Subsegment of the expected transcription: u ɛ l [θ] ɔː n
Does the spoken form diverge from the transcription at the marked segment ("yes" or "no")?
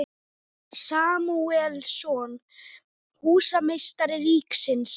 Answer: yes